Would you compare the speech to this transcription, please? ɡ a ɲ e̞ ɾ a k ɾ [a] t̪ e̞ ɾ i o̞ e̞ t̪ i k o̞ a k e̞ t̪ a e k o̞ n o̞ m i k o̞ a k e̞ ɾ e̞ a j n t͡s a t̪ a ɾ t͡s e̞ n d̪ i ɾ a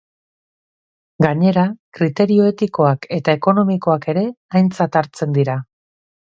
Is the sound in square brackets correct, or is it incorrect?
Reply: incorrect